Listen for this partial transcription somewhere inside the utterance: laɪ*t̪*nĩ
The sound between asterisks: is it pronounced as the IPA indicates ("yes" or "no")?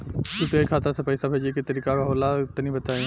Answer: yes